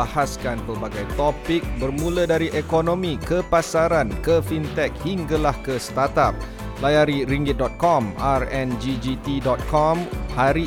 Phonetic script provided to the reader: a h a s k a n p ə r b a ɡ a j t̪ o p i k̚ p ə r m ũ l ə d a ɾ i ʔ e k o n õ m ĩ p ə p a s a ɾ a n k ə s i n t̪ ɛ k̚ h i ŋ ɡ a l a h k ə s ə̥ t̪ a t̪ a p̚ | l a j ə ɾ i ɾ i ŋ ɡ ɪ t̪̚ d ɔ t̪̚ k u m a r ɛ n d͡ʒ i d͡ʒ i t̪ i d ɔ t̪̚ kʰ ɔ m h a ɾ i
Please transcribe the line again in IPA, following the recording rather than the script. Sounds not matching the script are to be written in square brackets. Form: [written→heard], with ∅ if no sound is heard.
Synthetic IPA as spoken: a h a s k a n p ə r b a ɡ a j t̪ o p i k̚ [p→b] ə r m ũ l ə d a ɾ i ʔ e k o n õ m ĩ [p→k] ə p a s a ɾ a n k ə [s→f] i n t̪ ɛ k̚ h i ŋ ɡ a l a h k ə s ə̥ t̪ a t̪ a p̚ | l a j [ə→a] ɾ i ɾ i ŋ ɡ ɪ t̪̚ d ɔ t̪̚ k [u→ɔ] m a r ɛ n d͡ʒ i d͡ʒ i t̪ i d ɔ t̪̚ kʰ ɔ m h a ɾ i